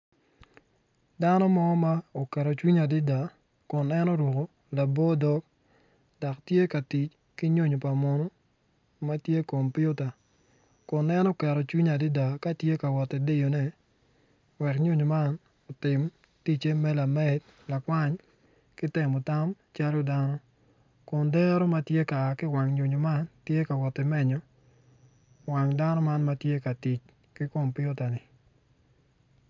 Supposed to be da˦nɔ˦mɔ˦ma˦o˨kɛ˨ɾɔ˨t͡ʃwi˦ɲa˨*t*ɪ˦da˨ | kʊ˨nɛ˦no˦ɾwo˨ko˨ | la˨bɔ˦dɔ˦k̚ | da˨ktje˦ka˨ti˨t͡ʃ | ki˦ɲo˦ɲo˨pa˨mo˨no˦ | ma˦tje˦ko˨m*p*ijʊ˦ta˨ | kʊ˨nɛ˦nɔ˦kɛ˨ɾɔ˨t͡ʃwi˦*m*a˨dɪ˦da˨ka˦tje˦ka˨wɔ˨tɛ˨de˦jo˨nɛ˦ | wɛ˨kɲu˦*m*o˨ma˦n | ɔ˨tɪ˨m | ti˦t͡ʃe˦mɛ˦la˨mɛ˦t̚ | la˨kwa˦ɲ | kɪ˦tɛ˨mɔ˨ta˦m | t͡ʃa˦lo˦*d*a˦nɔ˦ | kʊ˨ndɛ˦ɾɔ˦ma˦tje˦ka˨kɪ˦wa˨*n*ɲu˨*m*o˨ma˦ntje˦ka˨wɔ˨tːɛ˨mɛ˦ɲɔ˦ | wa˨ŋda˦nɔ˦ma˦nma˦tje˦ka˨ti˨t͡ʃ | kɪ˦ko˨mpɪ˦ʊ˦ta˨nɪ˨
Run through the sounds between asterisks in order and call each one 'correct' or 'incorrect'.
incorrect: d, correct, incorrect: ɲ, incorrect: ɲ, correct, incorrect: ŋ, incorrect: ɲ

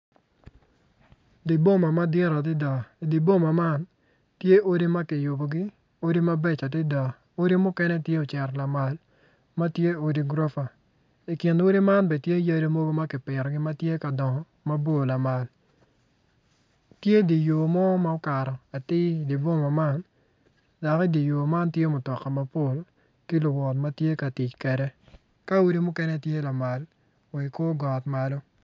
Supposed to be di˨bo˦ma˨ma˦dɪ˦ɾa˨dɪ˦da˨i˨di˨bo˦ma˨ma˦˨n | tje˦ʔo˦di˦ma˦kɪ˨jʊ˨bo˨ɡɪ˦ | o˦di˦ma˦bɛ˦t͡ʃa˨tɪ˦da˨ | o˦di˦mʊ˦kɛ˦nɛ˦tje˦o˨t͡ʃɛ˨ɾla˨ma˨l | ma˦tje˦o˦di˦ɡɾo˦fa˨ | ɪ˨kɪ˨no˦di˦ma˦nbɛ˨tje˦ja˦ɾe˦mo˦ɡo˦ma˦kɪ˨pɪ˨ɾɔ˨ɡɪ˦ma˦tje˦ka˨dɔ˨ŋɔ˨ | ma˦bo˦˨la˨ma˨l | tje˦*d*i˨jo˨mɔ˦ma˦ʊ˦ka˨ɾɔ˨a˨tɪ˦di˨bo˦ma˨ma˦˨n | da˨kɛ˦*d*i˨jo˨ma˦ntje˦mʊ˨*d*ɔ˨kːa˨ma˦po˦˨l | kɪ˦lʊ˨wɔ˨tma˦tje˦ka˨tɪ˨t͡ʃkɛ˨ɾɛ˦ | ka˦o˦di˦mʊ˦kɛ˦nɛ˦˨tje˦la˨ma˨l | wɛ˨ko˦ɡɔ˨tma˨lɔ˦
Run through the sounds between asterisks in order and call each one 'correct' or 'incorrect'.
correct, correct, incorrect: t

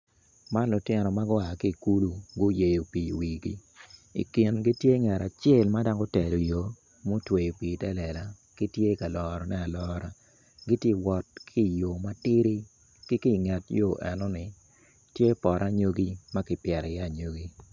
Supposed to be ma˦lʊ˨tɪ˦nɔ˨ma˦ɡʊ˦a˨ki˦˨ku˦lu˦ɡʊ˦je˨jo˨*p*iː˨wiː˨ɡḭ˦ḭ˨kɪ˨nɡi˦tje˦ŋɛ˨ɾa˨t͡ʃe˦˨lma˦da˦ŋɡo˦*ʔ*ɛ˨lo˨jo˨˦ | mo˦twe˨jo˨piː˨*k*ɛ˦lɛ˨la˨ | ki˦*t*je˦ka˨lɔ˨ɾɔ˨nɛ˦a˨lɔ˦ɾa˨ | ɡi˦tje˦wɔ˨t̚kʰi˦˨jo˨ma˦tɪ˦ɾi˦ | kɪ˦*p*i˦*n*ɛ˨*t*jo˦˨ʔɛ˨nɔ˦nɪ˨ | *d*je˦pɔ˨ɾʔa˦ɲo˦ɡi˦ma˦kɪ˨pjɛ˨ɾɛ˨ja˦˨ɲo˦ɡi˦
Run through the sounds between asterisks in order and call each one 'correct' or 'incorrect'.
correct, incorrect: t, incorrect: t, correct, incorrect: k, incorrect: ŋ, correct, incorrect: t

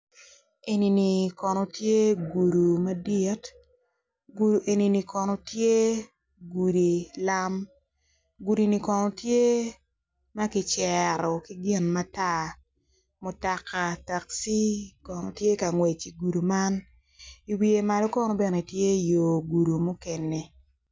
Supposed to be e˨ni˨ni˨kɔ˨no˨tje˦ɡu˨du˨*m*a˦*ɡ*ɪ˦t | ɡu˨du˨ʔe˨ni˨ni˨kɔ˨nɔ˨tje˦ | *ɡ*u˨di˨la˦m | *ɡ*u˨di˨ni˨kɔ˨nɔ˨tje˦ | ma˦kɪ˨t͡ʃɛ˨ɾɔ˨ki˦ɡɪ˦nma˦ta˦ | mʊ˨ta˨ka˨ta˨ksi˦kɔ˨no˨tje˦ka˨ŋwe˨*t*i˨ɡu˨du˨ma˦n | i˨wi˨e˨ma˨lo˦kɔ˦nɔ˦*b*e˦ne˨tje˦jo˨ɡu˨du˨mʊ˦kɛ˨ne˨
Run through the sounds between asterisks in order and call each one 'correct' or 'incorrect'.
correct, incorrect: d, correct, correct, incorrect: t͡ʃ, correct

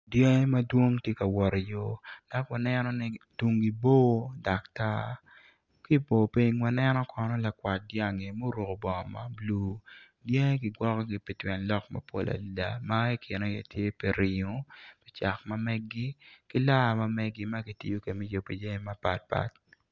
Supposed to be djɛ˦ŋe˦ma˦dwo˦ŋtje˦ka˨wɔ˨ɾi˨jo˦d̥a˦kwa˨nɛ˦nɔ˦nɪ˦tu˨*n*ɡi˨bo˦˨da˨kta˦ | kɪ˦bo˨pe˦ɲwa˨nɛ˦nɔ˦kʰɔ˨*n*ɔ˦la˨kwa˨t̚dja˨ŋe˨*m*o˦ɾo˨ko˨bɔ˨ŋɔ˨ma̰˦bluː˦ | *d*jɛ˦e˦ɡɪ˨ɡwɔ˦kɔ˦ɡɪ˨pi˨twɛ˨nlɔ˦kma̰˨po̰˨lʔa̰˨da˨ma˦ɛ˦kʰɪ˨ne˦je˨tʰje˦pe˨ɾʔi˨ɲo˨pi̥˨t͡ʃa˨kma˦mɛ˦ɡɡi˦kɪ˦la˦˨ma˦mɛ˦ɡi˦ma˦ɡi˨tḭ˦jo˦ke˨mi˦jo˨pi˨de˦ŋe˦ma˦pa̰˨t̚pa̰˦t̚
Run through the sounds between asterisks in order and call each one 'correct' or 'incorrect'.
incorrect: ŋ, correct, correct, correct

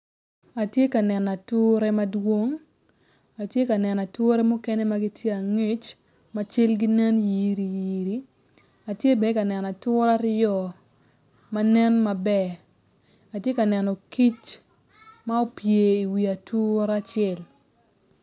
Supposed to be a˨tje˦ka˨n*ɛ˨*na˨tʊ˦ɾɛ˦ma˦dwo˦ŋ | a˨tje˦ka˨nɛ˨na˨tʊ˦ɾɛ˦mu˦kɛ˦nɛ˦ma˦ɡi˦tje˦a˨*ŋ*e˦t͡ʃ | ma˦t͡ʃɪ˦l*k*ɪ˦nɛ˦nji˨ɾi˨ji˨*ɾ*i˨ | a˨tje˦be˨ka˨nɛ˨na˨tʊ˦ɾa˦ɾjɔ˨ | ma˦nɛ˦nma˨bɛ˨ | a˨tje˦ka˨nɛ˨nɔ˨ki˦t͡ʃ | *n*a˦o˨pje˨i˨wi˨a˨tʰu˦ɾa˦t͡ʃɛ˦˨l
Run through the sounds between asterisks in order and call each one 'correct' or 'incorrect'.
correct, correct, incorrect: ɡ, correct, incorrect: m

